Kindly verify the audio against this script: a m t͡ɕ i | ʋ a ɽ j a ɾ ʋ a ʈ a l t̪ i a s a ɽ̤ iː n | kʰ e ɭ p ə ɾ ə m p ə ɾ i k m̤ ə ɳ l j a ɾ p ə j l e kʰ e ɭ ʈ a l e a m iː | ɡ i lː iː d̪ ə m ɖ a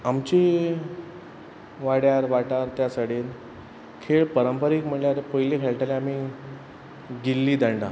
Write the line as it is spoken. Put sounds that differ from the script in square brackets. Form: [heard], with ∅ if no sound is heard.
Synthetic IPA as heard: a m t͡ɕ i | ʋ a ɽ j a ɾ ʋ a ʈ a [ɾ] t̪ [j] a s a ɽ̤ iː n | kʰ e ɭ p ə ɾ ə m p ə ɾ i k m̤ ə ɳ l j a ɾ p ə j l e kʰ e ɭ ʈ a l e a m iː | ɡ i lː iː d̪ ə [ɳ] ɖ a